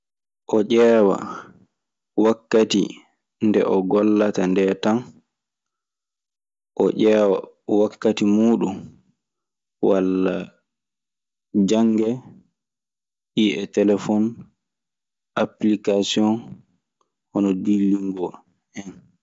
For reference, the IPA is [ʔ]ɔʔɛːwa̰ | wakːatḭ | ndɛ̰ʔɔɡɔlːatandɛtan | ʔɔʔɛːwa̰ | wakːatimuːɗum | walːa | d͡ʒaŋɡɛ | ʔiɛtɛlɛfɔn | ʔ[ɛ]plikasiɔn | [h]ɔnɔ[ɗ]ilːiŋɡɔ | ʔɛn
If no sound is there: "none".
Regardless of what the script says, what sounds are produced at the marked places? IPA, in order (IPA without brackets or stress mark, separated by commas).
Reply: ʔ, a, h, d